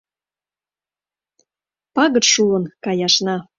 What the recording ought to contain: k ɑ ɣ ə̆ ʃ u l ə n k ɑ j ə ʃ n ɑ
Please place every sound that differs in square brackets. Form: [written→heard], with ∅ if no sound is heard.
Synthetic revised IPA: [k→p] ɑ ɣ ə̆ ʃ u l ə n k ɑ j [ə→ɑ] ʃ n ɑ